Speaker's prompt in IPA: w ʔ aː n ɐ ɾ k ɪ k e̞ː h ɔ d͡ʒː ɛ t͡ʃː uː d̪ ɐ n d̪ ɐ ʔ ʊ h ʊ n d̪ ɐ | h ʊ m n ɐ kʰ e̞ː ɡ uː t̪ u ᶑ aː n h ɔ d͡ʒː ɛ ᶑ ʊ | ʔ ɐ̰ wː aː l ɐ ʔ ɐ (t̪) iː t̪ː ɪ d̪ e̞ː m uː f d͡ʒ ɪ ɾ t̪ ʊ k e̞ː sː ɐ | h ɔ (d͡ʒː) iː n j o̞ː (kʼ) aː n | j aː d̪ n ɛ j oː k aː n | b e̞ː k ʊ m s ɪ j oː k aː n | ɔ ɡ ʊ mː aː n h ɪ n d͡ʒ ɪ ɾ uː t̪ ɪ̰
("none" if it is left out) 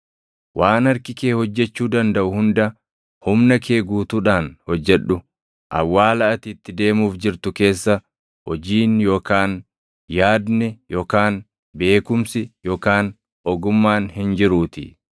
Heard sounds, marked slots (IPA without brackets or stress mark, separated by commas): t̪, d͡ʒ, k